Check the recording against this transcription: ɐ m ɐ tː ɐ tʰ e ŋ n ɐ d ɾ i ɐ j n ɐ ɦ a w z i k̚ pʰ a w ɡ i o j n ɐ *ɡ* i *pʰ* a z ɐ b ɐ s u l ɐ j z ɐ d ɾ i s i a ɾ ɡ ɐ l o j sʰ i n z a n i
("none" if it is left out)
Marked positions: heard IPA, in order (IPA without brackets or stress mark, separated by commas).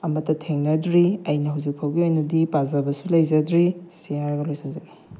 d, p